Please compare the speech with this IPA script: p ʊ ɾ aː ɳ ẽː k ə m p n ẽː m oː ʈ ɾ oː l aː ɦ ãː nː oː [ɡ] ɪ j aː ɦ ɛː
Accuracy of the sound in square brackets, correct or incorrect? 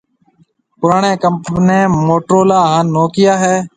incorrect